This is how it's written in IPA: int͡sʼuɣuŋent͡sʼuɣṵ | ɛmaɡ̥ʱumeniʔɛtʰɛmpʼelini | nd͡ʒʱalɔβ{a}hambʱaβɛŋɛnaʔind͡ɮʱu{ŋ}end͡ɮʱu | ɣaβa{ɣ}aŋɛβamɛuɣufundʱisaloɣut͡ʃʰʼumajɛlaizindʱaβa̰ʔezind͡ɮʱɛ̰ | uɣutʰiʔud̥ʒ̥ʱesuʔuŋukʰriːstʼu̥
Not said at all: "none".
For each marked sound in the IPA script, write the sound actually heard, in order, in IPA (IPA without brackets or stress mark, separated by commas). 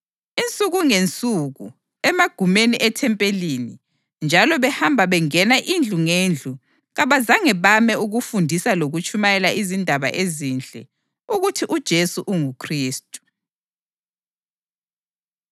ɛ, ŋ, z